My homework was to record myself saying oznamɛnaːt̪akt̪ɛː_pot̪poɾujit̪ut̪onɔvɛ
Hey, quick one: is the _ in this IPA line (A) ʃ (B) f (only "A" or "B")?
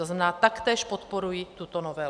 A